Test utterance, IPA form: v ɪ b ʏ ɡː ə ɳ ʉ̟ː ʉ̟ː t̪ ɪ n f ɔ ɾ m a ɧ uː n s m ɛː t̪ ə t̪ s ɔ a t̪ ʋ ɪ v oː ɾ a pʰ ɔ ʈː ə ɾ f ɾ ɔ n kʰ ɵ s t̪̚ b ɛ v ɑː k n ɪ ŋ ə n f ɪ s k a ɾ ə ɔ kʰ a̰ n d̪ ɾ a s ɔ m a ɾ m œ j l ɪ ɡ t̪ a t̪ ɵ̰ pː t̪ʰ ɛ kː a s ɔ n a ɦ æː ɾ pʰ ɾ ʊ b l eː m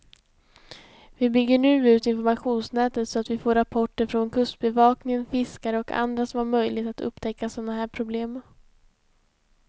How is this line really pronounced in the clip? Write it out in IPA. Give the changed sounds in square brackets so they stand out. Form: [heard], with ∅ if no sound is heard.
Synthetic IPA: v ɪ b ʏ ɡː ə ɳ ʉ̟ː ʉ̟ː t̪ ɪ n f ɔ ɾ m a ɧ uː n s [n] ɛː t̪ ə t̪ s ɔ a t̪ [v] ɪ [f] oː ɾ a pʰ ɔ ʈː ə ɾ f ɾ ɔ n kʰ ɵ s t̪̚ b ɛ v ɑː k n ɪ ŋ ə n f ɪ s k a ɾ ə ɔ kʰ a̰ n d̪ ɾ a s ɔ m a ɾ m œ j l ɪ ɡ t̪ a t̪ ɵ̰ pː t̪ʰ ɛ kː a s ɔ n a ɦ æː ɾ pʰ ɾ ʊ b l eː m